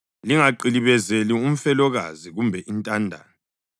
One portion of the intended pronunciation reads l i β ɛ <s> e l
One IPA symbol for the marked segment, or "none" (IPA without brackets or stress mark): z